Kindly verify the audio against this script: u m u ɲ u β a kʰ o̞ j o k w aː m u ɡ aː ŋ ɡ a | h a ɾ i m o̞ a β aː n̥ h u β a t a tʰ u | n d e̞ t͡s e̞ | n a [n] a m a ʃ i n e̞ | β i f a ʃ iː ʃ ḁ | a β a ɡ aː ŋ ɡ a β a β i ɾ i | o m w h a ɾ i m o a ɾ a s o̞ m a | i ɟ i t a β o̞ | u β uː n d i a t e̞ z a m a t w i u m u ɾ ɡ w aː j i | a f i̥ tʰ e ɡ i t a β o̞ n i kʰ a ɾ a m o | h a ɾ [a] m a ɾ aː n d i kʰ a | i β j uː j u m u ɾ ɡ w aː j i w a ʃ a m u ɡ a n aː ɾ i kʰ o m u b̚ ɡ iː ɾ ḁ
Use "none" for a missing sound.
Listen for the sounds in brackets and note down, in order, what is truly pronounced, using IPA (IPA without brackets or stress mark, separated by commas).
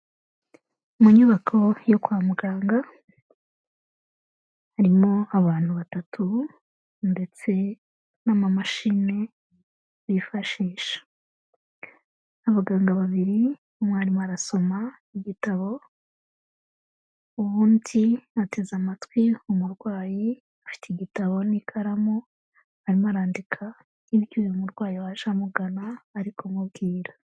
m, i